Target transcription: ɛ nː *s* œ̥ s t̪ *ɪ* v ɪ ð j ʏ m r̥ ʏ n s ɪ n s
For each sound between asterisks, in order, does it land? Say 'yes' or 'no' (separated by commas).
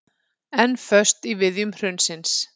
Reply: no, no